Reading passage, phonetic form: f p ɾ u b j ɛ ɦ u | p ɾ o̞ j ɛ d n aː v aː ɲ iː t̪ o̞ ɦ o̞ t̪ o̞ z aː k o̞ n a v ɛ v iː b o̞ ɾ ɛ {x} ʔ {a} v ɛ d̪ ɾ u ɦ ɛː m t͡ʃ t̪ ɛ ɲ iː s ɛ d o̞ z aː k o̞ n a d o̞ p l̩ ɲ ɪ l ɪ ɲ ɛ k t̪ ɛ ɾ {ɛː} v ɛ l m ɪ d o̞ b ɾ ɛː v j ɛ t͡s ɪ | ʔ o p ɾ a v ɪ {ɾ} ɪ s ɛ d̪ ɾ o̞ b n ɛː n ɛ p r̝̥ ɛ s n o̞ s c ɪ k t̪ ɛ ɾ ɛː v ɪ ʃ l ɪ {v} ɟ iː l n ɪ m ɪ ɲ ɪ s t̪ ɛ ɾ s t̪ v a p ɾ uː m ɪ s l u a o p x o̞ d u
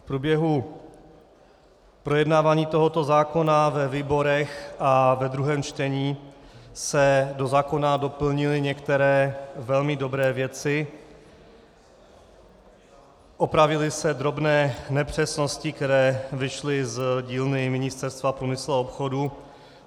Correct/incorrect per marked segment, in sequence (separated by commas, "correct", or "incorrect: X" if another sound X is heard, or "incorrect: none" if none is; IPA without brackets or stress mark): correct, correct, correct, incorrect: l, incorrect: z